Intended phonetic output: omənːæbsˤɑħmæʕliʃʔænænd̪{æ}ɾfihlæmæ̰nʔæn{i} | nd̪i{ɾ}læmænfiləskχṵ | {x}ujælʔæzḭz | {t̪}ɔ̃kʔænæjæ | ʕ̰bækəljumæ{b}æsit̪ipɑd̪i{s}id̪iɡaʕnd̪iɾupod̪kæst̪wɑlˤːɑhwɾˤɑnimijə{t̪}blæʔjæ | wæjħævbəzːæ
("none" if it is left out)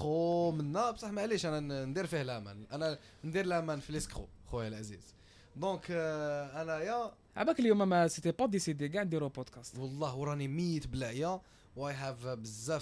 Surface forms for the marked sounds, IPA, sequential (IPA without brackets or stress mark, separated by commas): i, æ, ɾ, x, d̪, m, s, t̪